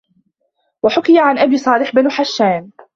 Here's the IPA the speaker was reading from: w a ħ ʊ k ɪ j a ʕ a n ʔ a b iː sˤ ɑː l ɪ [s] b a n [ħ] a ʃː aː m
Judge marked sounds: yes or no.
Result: no, yes

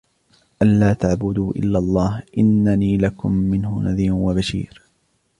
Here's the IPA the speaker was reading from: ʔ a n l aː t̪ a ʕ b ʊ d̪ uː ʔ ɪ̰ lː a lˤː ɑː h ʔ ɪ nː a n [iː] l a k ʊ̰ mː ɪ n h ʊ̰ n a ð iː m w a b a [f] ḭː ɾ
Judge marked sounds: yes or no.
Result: yes, no

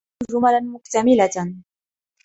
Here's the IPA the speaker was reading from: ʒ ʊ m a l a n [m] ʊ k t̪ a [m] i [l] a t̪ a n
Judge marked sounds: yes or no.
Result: yes, yes, yes

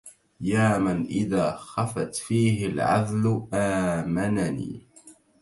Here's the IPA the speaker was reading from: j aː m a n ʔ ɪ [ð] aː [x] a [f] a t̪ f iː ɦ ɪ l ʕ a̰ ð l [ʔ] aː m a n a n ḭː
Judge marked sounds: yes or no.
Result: yes, yes, yes, yes

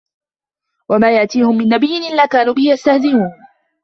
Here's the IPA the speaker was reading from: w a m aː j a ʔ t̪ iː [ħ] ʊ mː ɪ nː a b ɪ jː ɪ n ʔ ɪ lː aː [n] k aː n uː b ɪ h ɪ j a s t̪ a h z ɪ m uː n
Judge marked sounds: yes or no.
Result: no, no

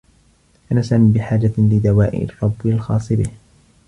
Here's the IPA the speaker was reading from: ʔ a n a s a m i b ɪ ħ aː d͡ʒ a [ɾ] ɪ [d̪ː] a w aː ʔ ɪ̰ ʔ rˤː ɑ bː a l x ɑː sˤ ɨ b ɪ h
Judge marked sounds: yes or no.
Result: no, no

